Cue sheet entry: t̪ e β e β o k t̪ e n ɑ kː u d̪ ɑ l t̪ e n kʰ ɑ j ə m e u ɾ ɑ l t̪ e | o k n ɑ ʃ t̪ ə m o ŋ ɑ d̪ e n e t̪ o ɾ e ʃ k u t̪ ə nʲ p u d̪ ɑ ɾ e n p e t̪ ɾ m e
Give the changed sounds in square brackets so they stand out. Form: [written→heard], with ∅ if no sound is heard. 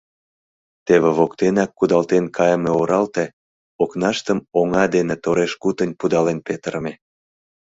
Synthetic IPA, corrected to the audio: t̪ e β e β o k t̪ e n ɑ kː u d̪ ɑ l t̪ e n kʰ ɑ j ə m e [u→o] ɾ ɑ l t̪ e | o k n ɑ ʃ t̪ ə m o ŋ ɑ d̪ e n e t̪ o ɾ e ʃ k u t̪ ə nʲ p u d̪ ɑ [ɾ→l] e n p e t̪ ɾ m e